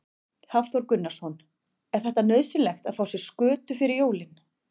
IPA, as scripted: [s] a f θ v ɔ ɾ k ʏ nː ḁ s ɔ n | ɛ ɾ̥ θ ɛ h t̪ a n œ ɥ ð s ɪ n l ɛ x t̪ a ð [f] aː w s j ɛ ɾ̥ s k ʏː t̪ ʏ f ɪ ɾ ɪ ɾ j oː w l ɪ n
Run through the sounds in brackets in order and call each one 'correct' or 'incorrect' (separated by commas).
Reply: incorrect, correct